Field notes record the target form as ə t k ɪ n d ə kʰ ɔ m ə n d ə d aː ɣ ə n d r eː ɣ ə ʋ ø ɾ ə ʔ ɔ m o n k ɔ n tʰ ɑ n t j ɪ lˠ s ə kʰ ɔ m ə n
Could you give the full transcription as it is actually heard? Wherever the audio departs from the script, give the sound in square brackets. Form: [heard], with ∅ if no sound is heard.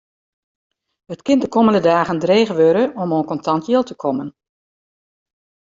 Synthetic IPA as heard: ə t k ɪ n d ə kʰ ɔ m ə n d ə d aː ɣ ə n d r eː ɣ ə ʋ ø ɾ ə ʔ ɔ m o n k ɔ n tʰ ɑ n t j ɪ lˠ [t] ə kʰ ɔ m ə n